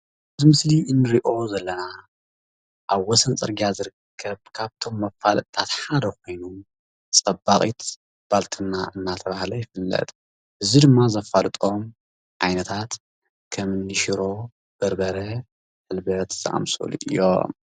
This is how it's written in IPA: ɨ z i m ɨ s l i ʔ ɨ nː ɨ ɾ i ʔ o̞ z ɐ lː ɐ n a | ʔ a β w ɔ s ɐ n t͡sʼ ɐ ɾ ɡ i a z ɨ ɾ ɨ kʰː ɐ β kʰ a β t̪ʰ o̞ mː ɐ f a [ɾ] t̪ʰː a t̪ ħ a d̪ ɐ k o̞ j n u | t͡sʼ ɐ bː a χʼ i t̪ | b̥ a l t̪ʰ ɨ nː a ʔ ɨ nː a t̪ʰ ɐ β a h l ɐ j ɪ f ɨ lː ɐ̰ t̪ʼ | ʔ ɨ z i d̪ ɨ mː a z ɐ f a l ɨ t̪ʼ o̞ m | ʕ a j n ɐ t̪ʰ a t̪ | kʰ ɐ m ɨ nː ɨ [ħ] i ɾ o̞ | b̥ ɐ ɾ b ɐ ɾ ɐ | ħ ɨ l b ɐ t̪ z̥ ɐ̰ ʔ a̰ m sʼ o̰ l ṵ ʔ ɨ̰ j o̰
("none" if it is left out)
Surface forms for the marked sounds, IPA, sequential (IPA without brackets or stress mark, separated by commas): l, ʃ